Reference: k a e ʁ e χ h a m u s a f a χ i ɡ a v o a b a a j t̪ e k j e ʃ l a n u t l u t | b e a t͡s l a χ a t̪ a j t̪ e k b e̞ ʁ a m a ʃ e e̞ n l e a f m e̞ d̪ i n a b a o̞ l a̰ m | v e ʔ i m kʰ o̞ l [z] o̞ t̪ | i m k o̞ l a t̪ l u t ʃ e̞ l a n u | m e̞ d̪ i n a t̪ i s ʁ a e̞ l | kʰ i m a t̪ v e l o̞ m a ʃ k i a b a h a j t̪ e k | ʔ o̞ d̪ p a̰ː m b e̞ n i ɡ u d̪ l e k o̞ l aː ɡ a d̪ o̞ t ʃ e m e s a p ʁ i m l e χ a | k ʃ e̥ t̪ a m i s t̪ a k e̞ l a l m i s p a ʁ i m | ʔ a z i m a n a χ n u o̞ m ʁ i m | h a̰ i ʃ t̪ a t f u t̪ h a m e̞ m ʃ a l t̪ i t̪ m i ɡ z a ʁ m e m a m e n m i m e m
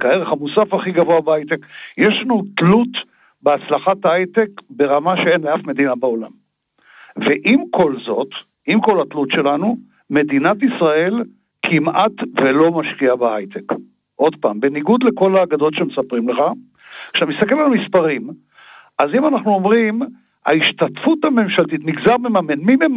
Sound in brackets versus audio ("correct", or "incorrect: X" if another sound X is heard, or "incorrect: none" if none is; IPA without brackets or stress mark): correct